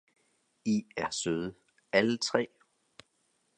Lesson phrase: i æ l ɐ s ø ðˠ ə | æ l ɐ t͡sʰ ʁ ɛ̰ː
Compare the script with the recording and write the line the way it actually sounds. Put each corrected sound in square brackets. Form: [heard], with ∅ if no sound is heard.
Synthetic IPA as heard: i æ [∅] ɐ s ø ðˠ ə | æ l [ə] t͡sʰ ʁ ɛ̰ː